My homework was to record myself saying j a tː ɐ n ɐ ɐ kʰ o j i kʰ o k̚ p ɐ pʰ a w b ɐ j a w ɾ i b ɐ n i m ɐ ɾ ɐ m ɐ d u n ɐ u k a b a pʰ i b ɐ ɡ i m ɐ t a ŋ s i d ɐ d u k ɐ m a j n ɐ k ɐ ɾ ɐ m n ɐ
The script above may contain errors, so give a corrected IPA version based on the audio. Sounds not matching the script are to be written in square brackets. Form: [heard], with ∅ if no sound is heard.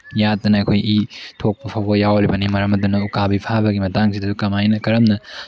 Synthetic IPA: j a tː ɐ n ɐ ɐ kʰ o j i [tʰ] o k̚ p ɐ pʰ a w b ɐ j a w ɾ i b ɐ n i m ɐ ɾ ɐ m ɐ d u n ɐ u k a b [i] pʰ [a] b ɐ ɡ i m ɐ t a ŋ s i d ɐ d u k ɐ m a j n ɐ k ɐ ɾ ɐ m n ɐ